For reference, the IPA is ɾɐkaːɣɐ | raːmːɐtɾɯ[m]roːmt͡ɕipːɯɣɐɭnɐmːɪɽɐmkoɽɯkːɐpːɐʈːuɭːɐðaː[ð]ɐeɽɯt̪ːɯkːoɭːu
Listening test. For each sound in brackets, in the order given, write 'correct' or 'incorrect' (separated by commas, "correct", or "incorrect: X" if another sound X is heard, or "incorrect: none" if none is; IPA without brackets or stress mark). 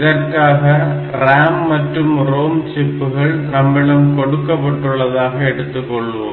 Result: correct, incorrect: ɣ